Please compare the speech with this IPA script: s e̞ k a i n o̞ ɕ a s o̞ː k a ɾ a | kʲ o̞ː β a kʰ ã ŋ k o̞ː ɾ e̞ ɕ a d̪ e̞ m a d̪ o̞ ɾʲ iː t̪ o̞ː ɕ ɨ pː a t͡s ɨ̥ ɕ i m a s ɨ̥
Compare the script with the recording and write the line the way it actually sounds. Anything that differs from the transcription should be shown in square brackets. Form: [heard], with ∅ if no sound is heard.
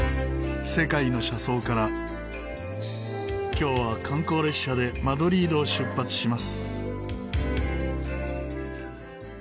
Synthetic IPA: s e̞ k a i n o̞ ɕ a s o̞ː k a ɾ a | kʲ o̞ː β a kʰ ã ŋ k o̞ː ɾ e̞ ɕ a d̪ e̞ m a d̪ o̞ ɾʲ iː [d̪] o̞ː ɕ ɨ pː a t͡s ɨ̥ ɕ i m a s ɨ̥